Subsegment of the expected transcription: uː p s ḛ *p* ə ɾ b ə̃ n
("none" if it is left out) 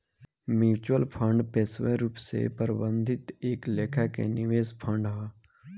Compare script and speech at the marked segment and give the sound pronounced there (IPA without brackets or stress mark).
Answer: p